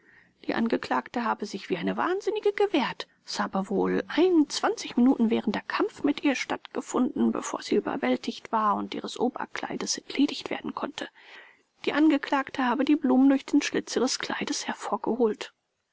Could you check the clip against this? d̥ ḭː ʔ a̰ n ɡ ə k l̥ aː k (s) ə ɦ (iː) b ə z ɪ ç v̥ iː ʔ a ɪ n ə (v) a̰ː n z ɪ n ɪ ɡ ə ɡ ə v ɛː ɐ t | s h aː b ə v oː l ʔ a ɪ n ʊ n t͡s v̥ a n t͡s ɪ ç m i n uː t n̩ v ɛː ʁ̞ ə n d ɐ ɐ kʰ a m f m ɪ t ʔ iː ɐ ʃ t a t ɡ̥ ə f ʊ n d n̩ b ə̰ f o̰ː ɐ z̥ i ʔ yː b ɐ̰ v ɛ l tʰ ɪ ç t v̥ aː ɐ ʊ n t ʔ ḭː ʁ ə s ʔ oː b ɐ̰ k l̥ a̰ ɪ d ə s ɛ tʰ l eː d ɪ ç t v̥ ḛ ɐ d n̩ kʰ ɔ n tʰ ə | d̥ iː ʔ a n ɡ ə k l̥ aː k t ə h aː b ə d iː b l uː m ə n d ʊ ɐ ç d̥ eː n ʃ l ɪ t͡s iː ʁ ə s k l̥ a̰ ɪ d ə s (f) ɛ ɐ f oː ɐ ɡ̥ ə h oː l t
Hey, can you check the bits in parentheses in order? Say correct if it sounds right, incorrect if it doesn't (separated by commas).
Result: incorrect, incorrect, correct, incorrect